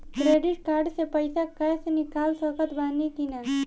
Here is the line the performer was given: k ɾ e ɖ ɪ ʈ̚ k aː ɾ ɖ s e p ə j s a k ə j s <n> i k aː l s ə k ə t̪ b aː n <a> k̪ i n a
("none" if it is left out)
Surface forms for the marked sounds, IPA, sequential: n, i

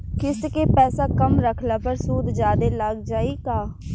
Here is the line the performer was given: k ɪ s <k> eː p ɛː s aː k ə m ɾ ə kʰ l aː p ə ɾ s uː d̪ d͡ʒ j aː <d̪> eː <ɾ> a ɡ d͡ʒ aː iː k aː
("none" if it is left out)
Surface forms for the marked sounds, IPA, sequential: k, d̪, l

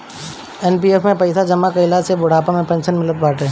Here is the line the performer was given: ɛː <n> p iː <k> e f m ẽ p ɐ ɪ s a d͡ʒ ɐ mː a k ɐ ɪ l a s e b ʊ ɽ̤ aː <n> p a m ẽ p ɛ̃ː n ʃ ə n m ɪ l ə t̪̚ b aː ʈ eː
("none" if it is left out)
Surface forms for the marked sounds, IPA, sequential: n, none, none

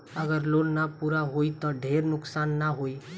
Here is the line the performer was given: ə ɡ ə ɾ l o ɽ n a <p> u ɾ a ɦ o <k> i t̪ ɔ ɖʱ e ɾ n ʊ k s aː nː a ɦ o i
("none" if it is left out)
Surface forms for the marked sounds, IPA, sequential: p, none

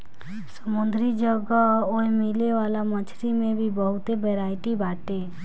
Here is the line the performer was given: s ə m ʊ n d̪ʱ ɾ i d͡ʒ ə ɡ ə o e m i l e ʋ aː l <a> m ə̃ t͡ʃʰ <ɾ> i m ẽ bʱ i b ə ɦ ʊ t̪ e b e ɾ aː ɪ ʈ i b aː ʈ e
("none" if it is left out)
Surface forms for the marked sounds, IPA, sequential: a, ɾ

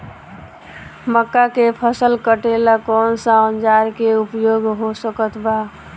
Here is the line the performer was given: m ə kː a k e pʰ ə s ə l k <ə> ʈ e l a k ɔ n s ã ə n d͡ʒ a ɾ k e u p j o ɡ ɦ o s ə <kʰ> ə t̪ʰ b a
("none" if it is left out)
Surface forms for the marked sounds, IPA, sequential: ə, k

